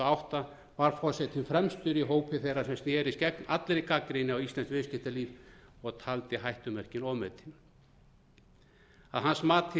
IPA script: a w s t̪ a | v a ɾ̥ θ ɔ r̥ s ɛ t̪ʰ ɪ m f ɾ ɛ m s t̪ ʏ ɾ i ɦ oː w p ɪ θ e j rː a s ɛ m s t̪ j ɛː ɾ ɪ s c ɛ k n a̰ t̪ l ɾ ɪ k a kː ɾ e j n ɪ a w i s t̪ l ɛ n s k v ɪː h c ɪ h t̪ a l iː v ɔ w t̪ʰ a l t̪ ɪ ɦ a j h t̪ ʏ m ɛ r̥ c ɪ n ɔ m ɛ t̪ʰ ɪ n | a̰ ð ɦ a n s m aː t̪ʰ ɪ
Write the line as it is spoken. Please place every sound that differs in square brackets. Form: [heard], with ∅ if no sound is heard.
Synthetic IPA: a w [h] t̪ a | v a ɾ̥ [f] ɔ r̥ s ɛ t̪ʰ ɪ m f ɾ ɛ m s t̪ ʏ ɾ i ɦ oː w p ɪ θ e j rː a s ɛ m s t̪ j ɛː ɾ ɪ s c ɛ k n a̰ t̪ l ɾ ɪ k a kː ɾ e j n ɪ a w i s t̪ l ɛ n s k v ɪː [s] c ɪ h t̪ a l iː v ɔ [ɣ] t̪ʰ a l t̪ ɪ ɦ a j h t̪ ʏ m ɛ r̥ c ɪ n ɔ m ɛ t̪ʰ ɪ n | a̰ ð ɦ a n s m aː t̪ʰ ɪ

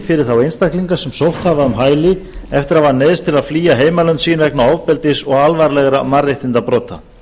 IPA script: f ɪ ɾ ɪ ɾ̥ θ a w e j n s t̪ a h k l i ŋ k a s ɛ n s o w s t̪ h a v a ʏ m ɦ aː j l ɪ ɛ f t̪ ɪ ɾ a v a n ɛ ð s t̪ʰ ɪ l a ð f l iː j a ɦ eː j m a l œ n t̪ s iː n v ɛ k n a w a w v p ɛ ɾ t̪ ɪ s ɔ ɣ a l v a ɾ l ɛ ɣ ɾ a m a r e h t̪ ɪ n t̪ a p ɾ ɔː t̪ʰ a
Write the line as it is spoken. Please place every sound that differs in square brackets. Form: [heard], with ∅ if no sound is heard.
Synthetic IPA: f ɪ ɾ ɪ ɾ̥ θ a w e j n s t̪ a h k l i ŋ k a s ɛ [m] s o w [h] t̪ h a v a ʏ m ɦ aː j l ɪ ɛ f t̪ ɪ ɾ a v a n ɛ ð s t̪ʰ ɪ l a ð f l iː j a ɦ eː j m a l œ n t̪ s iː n v ɛ k n a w a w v p ɛ [l] t̪ ɪ s ɔ ɣ a l v a ɾ l ɛ ɣ ɾ a m a r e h t̪ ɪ n t̪ a p ɾ ɔː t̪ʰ a

